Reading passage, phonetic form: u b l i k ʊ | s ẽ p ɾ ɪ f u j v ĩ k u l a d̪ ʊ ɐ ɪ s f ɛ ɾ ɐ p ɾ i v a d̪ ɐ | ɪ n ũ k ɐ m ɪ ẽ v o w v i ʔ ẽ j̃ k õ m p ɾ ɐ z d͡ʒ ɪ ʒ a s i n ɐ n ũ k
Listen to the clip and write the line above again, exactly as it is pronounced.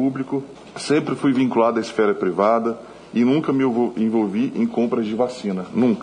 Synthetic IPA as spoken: u b l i k ʊ | s ẽ p ɾ ɪ f u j v ĩ k u l a d̪ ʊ ɐ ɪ s f ɛ ɾ ɐ p ɾ i v a d̪ ɐ | ɪ n ũ k ɐ m ɪ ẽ v o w v i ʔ ẽ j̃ k õ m p ɾ ɐ z d͡ʒ ɪ v a s ĩ n ɐ n ũ k